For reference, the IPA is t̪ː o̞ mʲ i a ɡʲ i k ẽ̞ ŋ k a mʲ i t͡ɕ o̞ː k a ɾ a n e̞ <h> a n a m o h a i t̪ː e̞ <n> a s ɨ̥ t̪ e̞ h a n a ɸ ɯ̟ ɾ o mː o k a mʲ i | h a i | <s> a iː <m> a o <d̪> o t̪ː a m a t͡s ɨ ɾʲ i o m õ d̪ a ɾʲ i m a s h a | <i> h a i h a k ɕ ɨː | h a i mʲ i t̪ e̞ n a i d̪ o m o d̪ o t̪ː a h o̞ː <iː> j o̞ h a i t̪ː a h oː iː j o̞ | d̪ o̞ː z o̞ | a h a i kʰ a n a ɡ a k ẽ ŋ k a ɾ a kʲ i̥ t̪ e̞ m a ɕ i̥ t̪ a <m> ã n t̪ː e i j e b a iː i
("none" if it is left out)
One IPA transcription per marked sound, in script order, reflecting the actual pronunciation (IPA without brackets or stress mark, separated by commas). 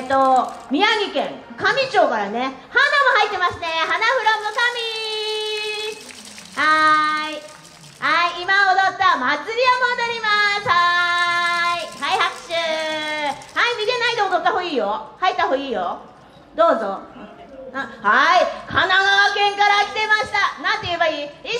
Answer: h, m, h, m, d̪, i, iː, n